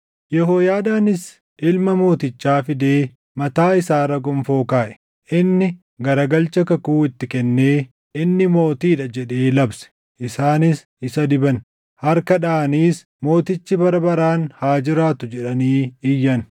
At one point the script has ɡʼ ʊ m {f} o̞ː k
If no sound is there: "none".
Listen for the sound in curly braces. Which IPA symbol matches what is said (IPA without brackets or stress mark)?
f